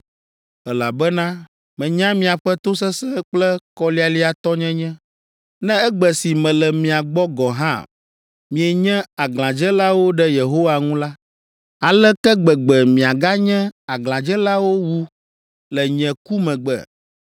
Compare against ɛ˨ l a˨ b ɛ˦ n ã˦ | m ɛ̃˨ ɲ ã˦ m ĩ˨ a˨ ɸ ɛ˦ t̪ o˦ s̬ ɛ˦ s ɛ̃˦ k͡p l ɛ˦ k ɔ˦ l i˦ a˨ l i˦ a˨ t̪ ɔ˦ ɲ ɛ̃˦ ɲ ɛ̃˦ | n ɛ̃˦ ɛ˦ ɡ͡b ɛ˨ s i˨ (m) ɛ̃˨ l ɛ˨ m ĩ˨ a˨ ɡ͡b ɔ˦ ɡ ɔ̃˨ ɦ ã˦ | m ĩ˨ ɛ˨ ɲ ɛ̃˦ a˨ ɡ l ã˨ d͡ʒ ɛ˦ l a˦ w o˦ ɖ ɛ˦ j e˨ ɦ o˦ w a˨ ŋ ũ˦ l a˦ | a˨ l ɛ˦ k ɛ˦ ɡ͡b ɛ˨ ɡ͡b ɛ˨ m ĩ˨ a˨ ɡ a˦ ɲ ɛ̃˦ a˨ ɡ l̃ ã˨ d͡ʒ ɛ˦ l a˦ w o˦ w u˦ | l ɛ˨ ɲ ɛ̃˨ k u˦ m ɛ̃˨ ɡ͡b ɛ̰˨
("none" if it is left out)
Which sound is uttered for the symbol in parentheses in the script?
m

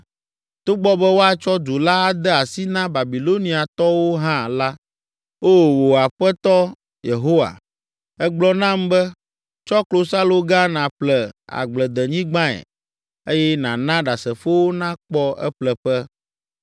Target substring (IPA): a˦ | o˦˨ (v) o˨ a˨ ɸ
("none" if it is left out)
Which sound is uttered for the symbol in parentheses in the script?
w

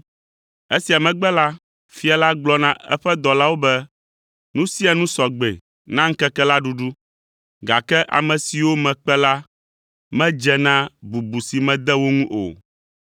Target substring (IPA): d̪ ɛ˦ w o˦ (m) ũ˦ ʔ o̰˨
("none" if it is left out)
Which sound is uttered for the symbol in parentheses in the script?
ŋ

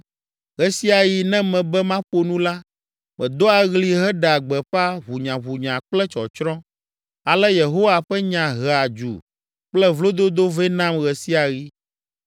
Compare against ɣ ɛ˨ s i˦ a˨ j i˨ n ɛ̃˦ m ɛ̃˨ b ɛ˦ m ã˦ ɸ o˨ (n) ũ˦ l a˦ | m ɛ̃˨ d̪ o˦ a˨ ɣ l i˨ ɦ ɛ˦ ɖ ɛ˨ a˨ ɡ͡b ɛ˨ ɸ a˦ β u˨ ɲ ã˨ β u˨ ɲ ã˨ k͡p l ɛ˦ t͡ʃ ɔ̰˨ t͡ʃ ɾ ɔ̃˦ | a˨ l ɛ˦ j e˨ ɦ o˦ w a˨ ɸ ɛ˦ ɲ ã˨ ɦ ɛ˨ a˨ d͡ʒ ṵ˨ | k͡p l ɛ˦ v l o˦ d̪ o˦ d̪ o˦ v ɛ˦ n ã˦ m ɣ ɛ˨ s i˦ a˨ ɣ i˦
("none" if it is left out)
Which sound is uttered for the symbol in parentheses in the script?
n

